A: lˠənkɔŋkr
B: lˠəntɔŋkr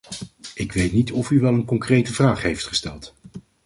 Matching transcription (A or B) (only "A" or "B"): A